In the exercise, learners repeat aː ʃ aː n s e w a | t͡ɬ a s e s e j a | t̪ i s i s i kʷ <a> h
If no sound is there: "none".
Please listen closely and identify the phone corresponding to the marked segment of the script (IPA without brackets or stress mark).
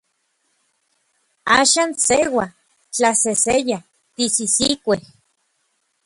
e